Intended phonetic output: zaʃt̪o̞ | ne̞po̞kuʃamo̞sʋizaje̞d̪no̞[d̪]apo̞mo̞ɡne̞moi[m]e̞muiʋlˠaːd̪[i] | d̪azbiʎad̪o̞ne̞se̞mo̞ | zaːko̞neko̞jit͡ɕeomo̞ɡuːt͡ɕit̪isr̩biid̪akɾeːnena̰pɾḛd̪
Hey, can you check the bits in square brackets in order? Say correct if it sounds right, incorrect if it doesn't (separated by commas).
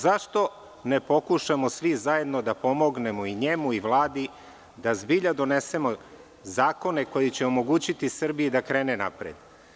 correct, incorrect, correct